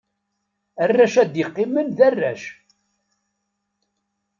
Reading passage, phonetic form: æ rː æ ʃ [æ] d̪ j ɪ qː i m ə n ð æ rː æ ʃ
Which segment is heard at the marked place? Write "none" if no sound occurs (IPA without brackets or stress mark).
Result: æ